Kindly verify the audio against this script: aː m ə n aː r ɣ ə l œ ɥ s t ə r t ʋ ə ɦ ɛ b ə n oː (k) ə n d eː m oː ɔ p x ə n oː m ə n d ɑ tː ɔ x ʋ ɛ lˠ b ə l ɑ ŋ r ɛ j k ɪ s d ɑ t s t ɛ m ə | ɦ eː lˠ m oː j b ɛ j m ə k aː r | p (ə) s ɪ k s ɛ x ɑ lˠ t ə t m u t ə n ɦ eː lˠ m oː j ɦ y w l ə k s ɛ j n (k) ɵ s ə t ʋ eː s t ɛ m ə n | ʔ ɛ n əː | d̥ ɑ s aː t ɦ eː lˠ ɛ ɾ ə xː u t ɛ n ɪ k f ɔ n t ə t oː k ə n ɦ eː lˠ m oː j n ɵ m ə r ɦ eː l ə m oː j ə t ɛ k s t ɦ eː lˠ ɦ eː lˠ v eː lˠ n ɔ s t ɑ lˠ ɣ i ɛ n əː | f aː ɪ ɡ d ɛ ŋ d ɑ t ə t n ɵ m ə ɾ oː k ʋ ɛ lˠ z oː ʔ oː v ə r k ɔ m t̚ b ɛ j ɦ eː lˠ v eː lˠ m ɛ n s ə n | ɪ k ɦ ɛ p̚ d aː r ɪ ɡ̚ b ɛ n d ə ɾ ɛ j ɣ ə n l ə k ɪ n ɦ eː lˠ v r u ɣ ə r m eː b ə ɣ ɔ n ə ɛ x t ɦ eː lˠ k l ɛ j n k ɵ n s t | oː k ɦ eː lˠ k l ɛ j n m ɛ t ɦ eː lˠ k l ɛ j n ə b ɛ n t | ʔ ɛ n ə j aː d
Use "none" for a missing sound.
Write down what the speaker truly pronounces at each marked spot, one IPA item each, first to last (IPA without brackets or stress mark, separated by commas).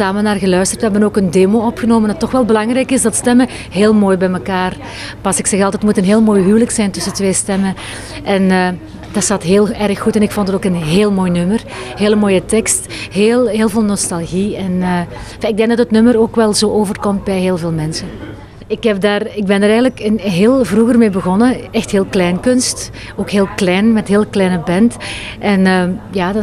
k, ɑ, t